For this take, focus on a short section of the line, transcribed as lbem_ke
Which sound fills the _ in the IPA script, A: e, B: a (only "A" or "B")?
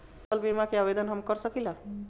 B